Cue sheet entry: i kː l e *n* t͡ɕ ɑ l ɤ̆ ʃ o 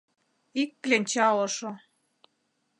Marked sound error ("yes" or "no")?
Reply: no